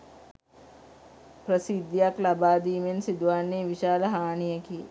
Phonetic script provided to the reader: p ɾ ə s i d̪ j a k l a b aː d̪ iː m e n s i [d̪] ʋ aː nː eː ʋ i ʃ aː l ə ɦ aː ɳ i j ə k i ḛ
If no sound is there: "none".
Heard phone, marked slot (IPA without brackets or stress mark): d̪